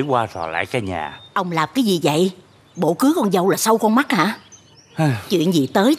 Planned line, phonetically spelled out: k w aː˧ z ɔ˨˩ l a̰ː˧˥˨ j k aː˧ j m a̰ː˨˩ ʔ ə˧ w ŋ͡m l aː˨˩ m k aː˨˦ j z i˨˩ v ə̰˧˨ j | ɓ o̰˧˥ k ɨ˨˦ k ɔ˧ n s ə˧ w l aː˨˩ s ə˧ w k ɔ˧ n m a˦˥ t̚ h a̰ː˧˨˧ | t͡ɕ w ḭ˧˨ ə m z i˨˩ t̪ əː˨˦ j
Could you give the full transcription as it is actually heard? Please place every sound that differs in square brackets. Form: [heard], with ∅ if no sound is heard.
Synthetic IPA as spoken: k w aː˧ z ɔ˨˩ l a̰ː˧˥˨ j k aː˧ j [ɲ] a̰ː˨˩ ʔ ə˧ w ŋ͡m l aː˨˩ m k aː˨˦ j z i˨˩ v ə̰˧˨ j | ɓ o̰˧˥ k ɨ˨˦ k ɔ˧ n [z] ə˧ w l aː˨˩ s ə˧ w k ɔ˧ n m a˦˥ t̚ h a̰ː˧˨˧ | t͡ɕ w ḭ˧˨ ə [n] z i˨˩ t̪ əː˨˦ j